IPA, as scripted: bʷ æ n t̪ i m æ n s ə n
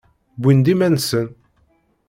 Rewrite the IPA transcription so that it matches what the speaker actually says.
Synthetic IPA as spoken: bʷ i n d̪ i m æ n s ə n

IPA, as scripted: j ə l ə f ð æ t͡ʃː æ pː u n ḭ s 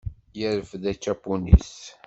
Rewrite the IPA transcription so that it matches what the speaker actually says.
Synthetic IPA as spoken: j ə ɾ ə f ð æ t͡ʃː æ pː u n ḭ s

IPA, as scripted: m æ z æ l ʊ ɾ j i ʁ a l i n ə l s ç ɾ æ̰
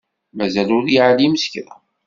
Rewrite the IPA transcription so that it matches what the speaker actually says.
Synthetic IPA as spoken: m æ z æ l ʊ ɾ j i ʕ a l i m ə s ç ɾ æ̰

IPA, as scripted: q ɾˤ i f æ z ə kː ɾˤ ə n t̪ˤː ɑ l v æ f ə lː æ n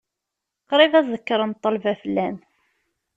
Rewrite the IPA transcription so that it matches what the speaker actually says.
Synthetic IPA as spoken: q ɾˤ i v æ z ə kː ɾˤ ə n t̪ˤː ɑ l v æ f ə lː æ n

